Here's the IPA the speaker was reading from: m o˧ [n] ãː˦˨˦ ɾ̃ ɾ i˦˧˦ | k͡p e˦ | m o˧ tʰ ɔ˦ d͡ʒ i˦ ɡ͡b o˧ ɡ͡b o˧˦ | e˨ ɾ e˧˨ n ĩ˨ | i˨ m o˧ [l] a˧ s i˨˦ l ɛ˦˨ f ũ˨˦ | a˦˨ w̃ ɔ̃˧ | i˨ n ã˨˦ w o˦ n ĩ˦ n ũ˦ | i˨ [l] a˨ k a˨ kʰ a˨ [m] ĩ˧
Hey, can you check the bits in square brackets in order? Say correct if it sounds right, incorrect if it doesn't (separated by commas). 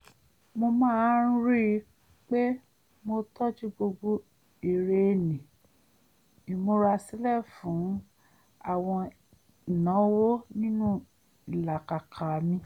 incorrect, incorrect, correct, correct